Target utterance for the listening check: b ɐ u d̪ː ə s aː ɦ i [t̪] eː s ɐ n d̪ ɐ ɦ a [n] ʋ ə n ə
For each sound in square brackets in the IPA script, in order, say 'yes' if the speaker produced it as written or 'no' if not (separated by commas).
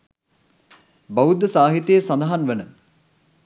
yes, yes